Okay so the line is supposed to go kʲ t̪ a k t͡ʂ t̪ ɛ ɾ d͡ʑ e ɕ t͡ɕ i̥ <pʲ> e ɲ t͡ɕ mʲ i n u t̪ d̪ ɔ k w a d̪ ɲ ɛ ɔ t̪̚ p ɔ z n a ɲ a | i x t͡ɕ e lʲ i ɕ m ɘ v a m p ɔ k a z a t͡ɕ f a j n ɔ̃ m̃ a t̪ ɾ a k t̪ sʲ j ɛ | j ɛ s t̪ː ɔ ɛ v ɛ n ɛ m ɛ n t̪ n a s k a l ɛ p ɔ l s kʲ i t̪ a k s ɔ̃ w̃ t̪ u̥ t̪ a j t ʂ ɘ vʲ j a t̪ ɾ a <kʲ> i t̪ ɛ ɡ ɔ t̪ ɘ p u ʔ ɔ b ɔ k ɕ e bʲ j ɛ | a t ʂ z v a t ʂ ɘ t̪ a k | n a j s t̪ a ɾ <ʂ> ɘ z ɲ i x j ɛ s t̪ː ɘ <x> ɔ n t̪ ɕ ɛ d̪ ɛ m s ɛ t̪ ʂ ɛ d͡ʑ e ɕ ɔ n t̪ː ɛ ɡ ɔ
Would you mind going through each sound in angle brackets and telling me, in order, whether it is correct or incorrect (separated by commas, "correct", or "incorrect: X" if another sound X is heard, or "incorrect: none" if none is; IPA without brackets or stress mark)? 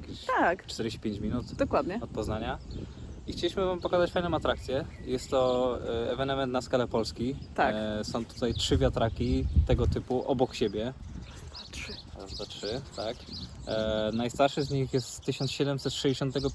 correct, correct, correct, incorrect: ɕ